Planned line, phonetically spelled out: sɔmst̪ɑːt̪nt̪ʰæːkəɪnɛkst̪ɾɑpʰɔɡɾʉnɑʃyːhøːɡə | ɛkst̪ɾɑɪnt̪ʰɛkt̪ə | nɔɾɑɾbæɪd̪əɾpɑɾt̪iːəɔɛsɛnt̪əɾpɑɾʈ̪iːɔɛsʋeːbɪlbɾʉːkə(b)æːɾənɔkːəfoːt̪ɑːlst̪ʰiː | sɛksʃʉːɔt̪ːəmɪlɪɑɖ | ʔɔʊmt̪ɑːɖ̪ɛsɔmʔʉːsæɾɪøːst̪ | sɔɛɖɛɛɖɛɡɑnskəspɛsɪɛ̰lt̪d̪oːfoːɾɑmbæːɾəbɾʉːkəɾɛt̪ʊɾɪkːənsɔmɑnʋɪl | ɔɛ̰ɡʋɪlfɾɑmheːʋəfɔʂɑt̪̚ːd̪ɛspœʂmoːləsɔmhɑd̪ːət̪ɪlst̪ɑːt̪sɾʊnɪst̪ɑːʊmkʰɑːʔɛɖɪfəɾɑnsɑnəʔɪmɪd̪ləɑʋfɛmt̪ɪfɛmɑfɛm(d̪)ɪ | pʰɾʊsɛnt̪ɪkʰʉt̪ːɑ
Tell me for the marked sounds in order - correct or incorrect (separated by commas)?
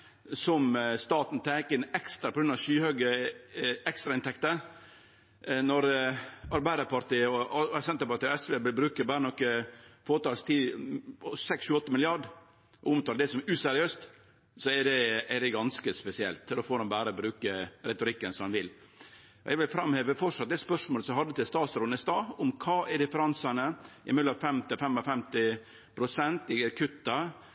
correct, incorrect